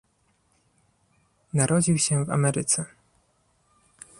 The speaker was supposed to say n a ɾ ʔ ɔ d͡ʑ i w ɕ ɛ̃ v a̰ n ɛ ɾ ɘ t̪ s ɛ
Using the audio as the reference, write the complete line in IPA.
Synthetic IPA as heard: n a ɾ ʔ ɔ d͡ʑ i w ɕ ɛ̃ v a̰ m ɛ ɾ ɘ t̪ s ɛ